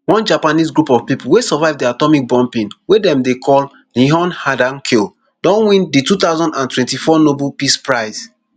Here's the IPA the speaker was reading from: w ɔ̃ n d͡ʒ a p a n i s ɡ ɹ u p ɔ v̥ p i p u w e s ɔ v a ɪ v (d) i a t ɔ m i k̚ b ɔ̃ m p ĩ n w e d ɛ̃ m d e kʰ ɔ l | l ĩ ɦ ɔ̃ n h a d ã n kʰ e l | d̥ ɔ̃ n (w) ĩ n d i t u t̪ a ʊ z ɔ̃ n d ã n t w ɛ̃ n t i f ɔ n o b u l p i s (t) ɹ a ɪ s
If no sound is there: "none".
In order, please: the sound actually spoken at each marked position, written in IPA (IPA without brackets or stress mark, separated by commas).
d, w, p